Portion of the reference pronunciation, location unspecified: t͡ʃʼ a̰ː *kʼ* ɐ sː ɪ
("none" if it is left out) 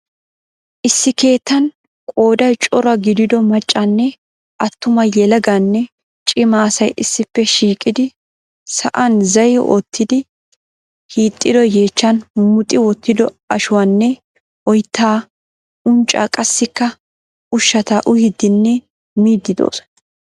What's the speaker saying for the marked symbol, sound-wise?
kʼ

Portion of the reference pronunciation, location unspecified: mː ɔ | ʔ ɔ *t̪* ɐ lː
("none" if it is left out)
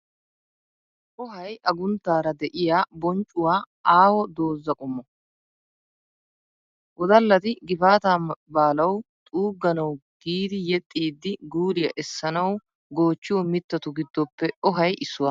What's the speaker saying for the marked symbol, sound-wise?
d̪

